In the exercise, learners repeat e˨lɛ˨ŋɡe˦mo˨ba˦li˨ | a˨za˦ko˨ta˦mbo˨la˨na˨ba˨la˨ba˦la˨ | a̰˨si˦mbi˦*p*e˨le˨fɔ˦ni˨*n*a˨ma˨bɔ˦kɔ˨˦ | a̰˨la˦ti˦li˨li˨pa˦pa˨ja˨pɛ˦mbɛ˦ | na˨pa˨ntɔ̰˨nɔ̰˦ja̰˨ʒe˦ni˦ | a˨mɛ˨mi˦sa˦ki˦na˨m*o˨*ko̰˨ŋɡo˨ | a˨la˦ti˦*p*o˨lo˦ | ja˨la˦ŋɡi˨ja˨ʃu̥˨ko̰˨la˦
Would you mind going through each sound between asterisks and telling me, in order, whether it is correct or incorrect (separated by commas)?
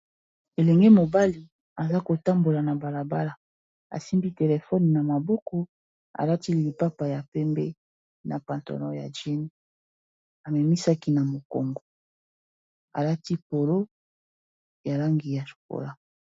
incorrect, correct, correct, correct